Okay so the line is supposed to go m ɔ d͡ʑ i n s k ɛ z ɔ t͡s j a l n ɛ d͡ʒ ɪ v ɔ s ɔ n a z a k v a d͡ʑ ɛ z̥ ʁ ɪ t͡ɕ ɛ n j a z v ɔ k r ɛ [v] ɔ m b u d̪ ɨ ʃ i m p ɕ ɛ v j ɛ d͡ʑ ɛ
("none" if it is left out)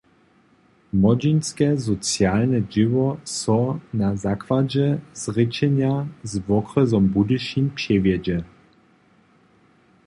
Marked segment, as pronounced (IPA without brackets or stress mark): z